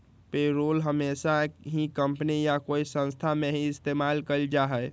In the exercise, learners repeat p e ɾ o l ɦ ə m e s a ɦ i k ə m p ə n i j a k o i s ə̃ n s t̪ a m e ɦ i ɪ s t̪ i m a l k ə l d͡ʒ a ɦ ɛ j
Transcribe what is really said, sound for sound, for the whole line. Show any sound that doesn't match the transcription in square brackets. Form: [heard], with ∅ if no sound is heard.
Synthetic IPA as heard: p e ɾ o l ɦ ə m e s a ɦ i k ə m p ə n i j a k o i s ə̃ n s [t̪ʰ] a m e ɦ i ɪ s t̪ [e] m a l k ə l d͡ʒ a ɦ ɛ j